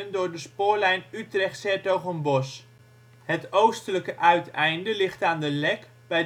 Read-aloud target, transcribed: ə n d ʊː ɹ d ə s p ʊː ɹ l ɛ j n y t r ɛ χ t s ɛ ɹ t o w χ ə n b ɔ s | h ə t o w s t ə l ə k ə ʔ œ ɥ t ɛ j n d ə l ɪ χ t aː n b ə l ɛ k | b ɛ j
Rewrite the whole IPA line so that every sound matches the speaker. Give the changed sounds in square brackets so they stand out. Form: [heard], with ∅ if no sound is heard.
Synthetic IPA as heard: ə n d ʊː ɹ d ə s p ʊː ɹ l ɛ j n y t r ɛ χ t s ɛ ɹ t o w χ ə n b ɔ s | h ə t o w s t ə l ə k ə ʔ œ ɥ t ɛ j n d ə l ɪ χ t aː n [d] ə l ɛ k | b ɛ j